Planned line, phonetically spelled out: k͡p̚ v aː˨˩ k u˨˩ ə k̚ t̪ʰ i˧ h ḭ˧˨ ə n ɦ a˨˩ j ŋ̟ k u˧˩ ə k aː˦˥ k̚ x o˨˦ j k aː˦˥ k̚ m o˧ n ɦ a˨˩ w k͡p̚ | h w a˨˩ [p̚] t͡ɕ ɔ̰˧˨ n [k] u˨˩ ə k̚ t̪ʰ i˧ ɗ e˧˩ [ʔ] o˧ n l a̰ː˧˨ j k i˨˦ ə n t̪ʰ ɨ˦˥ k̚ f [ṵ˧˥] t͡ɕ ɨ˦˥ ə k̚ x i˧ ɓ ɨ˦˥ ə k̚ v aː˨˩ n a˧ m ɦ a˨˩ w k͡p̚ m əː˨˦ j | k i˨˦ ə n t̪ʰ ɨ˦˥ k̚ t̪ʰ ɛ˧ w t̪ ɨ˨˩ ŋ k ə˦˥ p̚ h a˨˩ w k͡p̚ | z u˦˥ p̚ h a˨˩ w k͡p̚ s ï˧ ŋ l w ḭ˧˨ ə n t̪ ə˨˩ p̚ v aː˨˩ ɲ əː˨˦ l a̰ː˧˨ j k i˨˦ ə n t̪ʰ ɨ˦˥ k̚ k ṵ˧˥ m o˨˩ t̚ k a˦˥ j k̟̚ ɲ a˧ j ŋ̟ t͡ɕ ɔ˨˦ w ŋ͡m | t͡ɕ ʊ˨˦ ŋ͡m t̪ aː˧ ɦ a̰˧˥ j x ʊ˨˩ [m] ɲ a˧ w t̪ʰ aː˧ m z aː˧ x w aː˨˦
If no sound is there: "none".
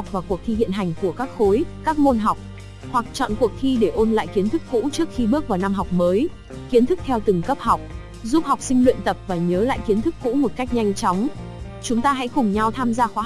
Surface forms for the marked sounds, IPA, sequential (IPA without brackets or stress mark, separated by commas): k̚, k, ʔ, ṵ˧˥, ŋ͡m